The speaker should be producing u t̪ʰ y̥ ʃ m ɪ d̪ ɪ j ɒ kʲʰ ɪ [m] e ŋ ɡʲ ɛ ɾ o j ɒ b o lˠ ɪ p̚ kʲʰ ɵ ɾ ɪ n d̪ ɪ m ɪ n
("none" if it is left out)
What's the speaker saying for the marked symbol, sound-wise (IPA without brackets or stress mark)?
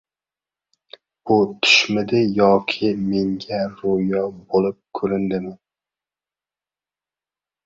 m